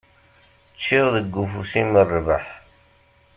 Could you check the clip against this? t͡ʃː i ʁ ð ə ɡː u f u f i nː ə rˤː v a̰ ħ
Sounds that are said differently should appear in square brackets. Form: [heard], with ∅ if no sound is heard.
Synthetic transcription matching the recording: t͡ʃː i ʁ ð ə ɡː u f u [s] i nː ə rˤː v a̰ ħ